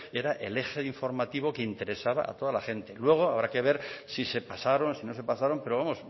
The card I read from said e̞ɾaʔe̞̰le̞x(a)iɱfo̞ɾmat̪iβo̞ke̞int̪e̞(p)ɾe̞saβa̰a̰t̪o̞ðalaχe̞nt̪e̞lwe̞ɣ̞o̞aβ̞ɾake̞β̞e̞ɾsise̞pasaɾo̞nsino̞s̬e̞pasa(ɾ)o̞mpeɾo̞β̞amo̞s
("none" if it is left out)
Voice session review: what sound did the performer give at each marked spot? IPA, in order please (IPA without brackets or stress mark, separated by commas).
e, none, ɾ